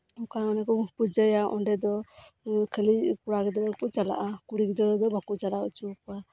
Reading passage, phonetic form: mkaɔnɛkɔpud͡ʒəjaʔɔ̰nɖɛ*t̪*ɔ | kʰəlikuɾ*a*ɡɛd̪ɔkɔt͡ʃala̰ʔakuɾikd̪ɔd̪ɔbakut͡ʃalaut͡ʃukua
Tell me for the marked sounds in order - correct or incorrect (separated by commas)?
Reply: incorrect, correct